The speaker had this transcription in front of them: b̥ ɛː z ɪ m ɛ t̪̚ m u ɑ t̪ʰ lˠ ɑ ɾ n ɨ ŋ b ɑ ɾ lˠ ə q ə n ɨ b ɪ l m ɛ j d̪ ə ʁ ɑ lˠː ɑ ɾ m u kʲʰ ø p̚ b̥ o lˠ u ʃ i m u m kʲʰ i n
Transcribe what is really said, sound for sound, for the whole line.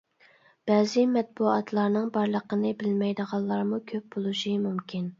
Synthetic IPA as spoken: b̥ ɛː z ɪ m ɛ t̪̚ b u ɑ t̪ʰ lˠ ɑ ɾ n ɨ ŋ b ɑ ɾ lˠ ə q ə n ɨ b ɪ l m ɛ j d̪ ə ʁ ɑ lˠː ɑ ɾ m u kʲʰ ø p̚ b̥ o lˠ u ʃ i m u m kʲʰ i n